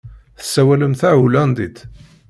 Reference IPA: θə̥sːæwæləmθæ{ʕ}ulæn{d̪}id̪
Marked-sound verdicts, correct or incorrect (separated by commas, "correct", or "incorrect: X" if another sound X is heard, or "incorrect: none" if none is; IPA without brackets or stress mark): correct, correct